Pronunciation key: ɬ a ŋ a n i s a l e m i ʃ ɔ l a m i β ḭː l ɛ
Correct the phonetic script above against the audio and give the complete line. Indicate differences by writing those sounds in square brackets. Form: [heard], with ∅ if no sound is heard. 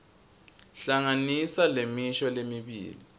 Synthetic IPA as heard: ɬ a ŋ a n i s a l e m i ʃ ɔ l [e] m i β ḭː l [i]